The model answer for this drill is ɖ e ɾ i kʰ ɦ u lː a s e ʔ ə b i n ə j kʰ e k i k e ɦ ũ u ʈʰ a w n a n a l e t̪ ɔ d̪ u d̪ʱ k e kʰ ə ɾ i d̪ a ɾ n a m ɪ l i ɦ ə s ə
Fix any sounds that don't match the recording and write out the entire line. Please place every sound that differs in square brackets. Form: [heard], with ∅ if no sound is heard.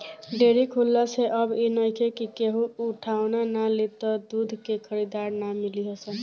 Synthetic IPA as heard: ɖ e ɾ i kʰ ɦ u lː a s e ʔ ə b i n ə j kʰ e k i k e ɦ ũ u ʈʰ a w n a n a l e t̪ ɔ d̪ u d̪ʱ k e kʰ ə ɾ i d̪ a ɾ n a m [i] l i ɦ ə s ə